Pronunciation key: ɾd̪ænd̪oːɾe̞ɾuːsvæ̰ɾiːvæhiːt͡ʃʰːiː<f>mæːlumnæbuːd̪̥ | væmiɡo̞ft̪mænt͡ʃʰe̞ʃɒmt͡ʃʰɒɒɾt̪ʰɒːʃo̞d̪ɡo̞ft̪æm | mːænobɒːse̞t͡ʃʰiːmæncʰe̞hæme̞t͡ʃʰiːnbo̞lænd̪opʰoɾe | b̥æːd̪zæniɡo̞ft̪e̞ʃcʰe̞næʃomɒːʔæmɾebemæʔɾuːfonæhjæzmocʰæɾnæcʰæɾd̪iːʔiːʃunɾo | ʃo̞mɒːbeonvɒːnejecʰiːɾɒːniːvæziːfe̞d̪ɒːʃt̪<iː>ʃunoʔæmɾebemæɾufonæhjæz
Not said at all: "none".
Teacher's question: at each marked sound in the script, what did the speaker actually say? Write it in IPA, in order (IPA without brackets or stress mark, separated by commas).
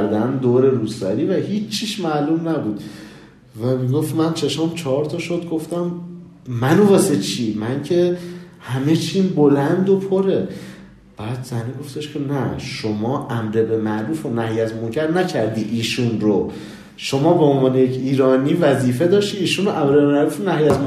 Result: ʃ, iː